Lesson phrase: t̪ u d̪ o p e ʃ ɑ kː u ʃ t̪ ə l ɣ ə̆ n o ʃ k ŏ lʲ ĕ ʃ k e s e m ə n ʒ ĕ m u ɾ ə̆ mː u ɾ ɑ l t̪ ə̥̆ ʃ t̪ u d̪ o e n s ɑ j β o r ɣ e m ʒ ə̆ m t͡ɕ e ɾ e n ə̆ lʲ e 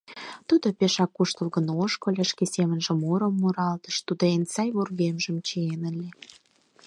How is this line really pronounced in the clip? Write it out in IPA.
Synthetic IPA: t̪ u d̪ o p e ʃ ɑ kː u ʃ t̪ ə l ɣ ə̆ n o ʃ k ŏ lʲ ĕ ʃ k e s e m ə n ʒ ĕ m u ɾ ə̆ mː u ɾ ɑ l t̪ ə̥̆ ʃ t̪ u d̪ o e n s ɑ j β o r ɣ e m ʒ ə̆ m t͡ɕ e e n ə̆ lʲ e